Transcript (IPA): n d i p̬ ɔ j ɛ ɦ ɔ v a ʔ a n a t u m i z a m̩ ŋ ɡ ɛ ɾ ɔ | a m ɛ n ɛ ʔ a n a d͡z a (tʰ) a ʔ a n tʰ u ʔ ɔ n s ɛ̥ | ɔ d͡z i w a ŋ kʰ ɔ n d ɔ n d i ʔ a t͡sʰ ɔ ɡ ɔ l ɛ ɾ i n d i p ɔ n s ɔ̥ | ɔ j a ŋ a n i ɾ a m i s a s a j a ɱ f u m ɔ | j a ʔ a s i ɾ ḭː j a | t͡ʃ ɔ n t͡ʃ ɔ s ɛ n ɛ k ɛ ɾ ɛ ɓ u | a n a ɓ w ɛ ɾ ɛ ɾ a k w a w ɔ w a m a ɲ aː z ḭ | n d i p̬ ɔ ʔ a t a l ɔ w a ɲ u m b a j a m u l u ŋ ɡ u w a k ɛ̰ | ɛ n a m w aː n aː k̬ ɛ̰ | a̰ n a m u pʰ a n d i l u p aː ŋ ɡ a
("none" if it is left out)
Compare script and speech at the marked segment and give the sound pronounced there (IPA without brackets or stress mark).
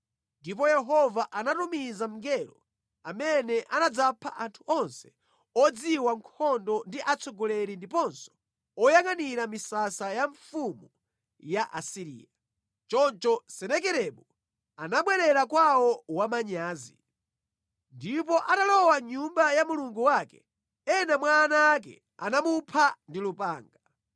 pʰ